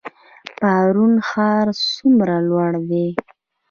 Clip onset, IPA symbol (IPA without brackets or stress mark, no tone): p